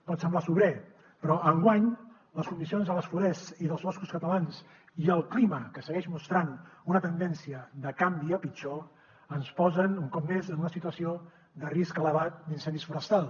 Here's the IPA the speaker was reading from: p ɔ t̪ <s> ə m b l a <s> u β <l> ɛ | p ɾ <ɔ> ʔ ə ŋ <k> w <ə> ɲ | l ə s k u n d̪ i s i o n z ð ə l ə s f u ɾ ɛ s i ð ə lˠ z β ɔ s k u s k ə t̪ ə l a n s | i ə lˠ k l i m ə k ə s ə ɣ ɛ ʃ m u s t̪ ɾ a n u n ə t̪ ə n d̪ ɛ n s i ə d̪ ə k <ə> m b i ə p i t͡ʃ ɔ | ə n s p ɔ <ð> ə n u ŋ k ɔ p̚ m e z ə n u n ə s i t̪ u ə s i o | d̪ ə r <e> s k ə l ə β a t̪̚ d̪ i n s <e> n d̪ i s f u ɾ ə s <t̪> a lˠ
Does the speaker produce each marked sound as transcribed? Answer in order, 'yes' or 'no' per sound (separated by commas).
yes, yes, no, yes, no, no, no, no, no, no, yes